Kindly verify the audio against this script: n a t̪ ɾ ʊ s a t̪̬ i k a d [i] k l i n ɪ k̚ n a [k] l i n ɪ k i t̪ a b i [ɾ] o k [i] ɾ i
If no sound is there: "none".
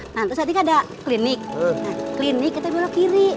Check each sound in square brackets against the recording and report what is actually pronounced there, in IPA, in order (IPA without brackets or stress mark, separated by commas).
a, k, l, i